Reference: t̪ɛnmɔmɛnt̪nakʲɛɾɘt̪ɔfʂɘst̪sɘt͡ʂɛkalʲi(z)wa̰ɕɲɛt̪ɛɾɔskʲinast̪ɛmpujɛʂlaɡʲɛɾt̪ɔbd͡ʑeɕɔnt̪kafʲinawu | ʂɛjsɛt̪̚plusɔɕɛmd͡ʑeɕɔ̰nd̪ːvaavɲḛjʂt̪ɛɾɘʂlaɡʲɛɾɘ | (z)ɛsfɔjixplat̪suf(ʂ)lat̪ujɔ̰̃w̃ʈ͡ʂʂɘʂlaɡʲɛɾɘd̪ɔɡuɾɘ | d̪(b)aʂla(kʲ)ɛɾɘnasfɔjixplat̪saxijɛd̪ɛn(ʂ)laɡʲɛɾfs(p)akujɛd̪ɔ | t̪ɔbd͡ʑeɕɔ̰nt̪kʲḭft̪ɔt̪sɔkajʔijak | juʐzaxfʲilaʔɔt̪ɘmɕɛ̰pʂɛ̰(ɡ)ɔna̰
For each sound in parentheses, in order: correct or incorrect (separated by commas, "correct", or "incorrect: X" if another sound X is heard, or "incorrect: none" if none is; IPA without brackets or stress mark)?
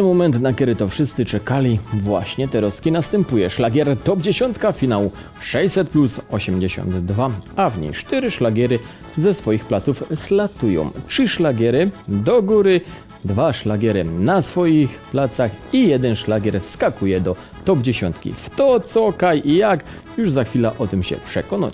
incorrect: v, correct, incorrect: s, incorrect: v, incorrect: ɡʲ, correct, incorrect: k, incorrect: k